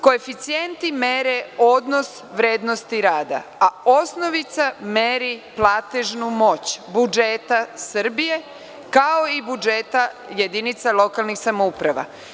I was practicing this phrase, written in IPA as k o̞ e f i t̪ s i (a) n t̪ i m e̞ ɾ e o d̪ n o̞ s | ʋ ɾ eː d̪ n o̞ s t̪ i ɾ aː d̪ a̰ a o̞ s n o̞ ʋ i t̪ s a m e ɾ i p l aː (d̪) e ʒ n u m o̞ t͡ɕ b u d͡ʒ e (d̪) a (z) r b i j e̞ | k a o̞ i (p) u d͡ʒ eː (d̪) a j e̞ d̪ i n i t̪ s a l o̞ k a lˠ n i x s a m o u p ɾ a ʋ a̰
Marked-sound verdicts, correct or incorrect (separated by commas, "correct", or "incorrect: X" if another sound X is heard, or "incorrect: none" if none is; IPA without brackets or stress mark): incorrect: e, incorrect: t̪, incorrect: t̪, incorrect: s, incorrect: b, incorrect: t̪